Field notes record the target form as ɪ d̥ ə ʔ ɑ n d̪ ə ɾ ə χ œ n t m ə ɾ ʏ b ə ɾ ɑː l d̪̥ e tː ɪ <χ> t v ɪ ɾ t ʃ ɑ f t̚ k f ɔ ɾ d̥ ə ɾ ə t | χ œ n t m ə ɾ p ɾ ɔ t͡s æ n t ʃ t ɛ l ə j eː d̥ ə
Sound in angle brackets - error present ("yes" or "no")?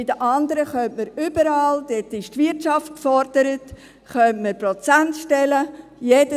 yes